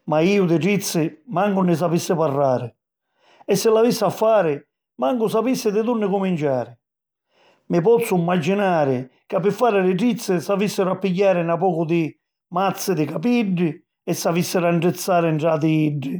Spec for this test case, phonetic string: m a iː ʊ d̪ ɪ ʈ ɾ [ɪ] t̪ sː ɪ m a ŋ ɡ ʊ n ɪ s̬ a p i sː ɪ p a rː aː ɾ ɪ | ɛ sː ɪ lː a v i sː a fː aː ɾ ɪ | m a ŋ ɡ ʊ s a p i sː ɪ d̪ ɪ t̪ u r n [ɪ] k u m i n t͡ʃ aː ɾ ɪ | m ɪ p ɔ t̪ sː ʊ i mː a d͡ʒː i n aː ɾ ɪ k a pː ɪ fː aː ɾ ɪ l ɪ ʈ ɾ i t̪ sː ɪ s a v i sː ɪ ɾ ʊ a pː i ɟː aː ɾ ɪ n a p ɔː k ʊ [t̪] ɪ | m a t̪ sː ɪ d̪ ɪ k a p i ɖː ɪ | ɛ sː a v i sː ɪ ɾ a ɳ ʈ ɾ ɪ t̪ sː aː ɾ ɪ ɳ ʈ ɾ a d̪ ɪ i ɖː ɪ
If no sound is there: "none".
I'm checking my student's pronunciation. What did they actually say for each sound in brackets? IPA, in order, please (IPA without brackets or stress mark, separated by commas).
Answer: i, ɪ, d̪